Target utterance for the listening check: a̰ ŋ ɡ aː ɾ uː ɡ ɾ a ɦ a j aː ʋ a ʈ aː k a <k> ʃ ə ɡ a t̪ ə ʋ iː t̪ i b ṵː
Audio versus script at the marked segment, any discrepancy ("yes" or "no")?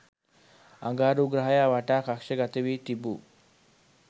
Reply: no